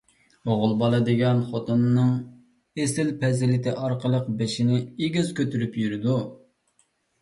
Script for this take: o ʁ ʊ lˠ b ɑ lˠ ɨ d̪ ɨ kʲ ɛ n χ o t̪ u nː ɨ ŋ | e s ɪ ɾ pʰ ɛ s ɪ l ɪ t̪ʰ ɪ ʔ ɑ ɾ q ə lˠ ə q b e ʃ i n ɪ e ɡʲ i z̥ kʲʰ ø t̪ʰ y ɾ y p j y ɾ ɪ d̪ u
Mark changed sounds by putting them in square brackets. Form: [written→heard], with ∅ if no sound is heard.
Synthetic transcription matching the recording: o ʁ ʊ lˠ b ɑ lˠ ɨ d̪ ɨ [kʲ→ɡʲ] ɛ n χ o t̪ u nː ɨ ŋ | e s ɪ [ɾ→l] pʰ ɛ [s→z] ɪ l ɪ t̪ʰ ɪ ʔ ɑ ɾ q ə lˠ ə q b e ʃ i n ɪ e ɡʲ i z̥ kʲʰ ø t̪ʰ y ɾ y p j y ɾ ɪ d̪ u